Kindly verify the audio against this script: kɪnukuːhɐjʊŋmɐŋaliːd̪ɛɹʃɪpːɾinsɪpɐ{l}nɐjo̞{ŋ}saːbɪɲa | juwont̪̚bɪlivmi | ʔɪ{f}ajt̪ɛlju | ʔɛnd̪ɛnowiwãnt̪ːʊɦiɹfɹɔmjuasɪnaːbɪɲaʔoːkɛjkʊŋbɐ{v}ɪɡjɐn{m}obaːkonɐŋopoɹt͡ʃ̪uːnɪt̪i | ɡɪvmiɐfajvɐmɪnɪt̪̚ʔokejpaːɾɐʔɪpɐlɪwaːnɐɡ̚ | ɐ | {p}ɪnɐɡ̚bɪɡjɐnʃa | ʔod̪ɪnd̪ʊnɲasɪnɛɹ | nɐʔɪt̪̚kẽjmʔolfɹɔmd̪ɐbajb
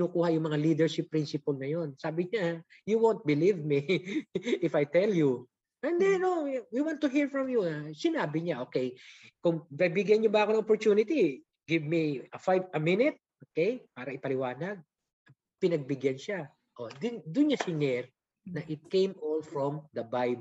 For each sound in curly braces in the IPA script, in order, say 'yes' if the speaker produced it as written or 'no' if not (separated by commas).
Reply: yes, no, yes, no, no, yes